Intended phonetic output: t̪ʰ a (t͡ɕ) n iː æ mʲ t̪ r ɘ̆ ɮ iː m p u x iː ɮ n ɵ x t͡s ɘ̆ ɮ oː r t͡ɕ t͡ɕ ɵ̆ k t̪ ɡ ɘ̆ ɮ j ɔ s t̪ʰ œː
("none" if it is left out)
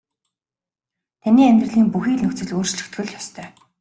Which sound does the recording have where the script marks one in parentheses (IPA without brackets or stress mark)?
none